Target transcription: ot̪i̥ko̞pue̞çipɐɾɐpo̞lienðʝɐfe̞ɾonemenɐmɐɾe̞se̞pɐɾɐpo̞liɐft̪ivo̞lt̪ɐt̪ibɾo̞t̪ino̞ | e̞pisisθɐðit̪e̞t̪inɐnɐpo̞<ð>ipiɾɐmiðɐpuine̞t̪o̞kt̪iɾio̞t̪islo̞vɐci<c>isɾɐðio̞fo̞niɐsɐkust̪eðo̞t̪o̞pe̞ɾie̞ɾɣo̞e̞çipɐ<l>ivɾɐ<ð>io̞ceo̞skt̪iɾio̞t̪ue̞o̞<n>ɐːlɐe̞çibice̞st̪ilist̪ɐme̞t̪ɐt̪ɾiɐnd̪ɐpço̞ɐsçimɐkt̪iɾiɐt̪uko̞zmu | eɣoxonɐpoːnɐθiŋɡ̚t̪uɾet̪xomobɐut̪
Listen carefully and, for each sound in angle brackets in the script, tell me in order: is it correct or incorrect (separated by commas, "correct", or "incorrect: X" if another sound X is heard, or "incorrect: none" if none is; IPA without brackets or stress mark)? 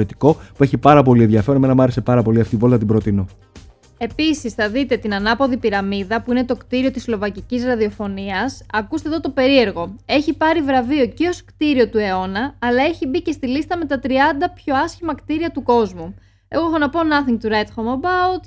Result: correct, correct, incorrect: ɾ, incorrect: v, correct